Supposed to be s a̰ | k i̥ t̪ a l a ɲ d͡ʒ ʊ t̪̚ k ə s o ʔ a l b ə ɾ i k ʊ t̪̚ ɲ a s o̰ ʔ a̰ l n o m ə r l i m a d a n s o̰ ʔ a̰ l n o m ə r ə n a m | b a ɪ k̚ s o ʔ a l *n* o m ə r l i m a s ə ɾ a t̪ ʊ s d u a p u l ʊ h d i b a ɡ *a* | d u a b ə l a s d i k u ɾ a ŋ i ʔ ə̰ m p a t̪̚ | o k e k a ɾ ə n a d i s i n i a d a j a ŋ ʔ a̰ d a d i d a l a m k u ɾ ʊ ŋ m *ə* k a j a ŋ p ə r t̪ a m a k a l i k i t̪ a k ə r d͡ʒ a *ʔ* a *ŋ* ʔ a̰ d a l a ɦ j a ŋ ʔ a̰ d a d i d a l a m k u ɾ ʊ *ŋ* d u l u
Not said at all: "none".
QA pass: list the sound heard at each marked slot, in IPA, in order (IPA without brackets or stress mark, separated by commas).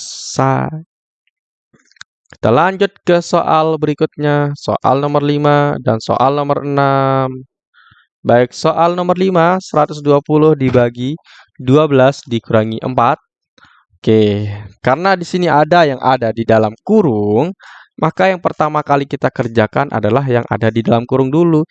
n, i, a, k, n, ŋ